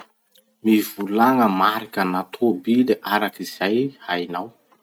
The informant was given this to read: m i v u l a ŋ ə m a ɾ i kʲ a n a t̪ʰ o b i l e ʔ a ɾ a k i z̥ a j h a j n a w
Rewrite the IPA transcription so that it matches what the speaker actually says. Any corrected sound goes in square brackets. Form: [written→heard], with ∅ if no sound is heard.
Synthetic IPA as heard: m i v u l a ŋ ə m a ɾ i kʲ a n a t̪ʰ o b i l e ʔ a ɾ a k i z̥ a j h a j n a w